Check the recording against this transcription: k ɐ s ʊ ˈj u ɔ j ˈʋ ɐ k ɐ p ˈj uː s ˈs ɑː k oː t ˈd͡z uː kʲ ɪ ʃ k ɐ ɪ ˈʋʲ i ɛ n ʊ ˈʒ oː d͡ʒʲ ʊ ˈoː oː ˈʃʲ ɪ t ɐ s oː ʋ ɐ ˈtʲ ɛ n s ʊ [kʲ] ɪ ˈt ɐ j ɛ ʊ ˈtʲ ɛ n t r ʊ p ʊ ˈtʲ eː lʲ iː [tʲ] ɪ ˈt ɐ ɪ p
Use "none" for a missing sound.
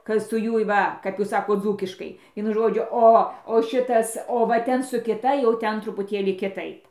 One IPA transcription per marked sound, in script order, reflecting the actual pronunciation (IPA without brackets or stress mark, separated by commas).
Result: kʲ, kʲ